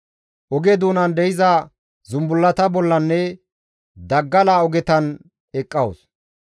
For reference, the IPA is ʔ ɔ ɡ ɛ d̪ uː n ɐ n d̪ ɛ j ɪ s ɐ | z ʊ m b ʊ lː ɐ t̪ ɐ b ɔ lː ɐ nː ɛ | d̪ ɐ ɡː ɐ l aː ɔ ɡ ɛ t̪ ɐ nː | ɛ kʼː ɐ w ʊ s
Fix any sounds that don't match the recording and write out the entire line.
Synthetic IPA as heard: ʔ ɔ ɡ ɛ d̪ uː n ɐ n d̪ ɛ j ɪ z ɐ | z ʊ m b ʊ lː ɐ t̪ ɐ b ɔ lː ɐ nː ɛ | d̪ ɐ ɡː ɐ l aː ɔ ɡ ɛ t̪ ɐ n | ɛ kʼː ɐ w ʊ s